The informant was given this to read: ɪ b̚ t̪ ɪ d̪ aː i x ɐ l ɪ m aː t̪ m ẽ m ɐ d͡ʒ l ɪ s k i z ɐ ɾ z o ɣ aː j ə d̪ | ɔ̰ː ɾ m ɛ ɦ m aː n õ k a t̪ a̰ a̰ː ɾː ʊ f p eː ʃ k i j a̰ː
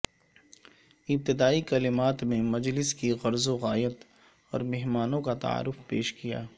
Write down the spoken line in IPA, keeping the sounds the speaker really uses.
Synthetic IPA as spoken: ɪ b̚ t̪ ɪ d̪ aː i k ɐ l ɪ m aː t̪ m ẽ m ɐ d͡ʒ l ɪ s k i ɣ ɐ ɾ z o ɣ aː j ə t̪ | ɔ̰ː ɾ m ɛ ɦ m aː n õ k a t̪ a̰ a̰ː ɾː ʊ f p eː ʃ k i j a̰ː

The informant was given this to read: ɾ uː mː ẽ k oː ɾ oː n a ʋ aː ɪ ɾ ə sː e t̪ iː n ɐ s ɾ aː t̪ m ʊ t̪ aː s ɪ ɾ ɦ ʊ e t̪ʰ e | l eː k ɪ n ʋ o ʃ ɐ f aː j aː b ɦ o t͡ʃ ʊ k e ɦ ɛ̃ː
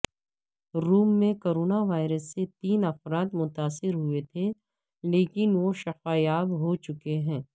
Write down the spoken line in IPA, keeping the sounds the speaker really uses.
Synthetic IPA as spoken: ɾ uː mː ẽ k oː ɾ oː n a ʋ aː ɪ ɾ ə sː e t̪ iː n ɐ f ɾ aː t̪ m ʊ t̪ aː s ɪ ɾ ɦ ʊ e t̪ʰ e | l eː k ɪ n ʋ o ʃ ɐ f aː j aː b ɦ o t͡ʃ ʊ k e ɦ ɛ̃ː

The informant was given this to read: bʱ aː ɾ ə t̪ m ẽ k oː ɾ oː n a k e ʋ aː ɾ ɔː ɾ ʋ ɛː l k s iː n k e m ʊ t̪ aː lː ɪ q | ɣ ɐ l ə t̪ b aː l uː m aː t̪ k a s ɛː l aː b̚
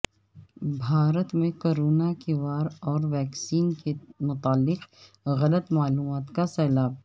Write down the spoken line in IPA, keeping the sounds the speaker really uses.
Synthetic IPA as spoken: bʱ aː ɾ ə t̪ m ẽ k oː ɾ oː n a k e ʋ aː ɾ ɔː ɾ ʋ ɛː k s iː n k e m ʊ t̪ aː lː ɪ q | ɣ ɐ l ə t̪ m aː l uː m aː t̪ k a s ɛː l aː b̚

